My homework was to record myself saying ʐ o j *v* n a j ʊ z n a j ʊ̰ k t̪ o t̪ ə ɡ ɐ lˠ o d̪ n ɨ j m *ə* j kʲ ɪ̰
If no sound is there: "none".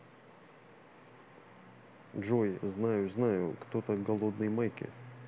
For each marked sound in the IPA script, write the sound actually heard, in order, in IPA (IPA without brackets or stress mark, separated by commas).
z, a